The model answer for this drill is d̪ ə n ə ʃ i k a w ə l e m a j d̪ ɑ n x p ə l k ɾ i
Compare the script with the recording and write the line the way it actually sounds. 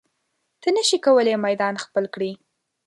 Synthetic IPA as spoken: t̪ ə n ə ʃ i k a w ə l e m a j d̪ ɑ n x p ə l k ɽ i